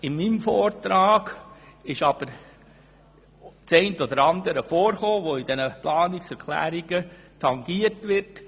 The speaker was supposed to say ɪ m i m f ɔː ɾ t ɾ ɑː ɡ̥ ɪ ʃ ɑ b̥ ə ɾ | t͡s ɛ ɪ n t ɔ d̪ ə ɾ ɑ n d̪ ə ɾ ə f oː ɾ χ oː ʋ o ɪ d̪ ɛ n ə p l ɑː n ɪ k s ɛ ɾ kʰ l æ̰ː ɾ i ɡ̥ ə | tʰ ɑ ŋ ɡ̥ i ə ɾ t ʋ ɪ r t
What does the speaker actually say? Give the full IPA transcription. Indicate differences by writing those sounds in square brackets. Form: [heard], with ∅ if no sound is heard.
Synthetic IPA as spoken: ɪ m i m f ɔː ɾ t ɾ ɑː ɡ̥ ɪ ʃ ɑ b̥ ə ɾ | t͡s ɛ ɪ n t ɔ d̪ ə ɾ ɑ n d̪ ə ɾ ə f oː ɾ χ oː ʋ o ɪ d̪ ɛ n ə p l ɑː n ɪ k s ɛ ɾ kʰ l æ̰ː ɾ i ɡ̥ ə | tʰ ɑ ŋ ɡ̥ i ə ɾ t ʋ ɪ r t